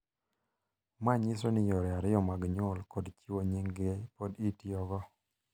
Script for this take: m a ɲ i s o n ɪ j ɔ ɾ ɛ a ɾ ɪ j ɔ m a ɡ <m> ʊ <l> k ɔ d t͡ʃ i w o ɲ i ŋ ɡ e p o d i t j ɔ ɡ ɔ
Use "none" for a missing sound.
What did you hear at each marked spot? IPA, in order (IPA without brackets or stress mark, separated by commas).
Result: ɲ, l